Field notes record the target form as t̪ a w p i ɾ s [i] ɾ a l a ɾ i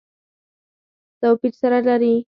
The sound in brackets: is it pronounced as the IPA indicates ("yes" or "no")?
no